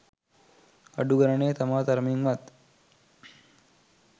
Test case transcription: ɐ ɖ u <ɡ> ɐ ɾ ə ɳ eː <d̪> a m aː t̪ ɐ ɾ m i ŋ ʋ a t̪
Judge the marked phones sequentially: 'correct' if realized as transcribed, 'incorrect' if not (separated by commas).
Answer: correct, incorrect